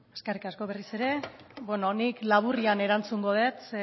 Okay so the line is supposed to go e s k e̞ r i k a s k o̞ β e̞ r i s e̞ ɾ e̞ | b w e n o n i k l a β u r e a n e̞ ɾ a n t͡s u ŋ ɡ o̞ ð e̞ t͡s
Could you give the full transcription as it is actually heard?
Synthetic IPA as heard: e s k e̞ r i k a s k o̞ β e̞ r i s e̞ ɾ e̞ | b w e n o n i k l a β u r i a n e̞ ɾ a n t͡s u ŋ ɡ o̞ ð e̞ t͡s